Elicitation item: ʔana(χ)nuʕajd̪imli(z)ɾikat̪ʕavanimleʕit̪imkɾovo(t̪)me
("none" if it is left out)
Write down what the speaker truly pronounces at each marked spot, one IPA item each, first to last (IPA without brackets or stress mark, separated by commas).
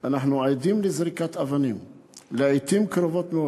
ħ, z, t̪